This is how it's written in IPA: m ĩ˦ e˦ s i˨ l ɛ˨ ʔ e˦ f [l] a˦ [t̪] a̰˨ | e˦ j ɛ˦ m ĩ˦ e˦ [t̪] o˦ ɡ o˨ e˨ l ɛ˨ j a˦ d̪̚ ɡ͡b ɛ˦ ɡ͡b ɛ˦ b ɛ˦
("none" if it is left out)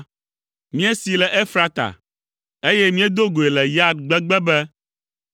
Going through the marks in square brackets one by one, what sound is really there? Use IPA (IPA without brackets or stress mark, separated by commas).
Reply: ɾ, t̪, d̪